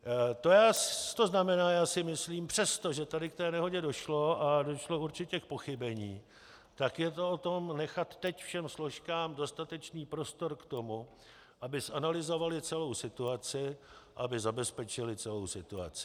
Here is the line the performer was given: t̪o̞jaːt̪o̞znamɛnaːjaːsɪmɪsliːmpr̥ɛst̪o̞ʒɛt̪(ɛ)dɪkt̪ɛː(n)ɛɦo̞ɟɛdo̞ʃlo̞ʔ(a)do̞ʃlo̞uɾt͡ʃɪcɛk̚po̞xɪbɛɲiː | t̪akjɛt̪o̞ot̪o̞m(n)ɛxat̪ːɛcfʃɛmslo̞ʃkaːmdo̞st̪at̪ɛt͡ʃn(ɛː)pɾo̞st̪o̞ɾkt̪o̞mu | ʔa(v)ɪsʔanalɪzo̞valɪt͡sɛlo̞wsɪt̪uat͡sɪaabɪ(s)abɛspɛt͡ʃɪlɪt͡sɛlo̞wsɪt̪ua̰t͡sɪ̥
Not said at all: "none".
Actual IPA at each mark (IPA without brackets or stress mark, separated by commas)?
a, n, a, n, iː, b, z